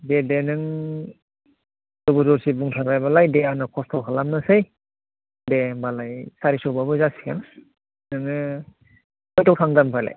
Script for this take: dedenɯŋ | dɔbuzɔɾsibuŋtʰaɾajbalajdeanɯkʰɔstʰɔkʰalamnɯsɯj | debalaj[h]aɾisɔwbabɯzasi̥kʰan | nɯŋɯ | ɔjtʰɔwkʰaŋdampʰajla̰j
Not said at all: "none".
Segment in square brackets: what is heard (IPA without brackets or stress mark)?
s